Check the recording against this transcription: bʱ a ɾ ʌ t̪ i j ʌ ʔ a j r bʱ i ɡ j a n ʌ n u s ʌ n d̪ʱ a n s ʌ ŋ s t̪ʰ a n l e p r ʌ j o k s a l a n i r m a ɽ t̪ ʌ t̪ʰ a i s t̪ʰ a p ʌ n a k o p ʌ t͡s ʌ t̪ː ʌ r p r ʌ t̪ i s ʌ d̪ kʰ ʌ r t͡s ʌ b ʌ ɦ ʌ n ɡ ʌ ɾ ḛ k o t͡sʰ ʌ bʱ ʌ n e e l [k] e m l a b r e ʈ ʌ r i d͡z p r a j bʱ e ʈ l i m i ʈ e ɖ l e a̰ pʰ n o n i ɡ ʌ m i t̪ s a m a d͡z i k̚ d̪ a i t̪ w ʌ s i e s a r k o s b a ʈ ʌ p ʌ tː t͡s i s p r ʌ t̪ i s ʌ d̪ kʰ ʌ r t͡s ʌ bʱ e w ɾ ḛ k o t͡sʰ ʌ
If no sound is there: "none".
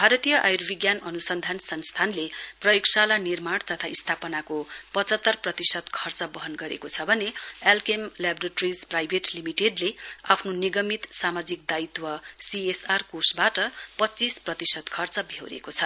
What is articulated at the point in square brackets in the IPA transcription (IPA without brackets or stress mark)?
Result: k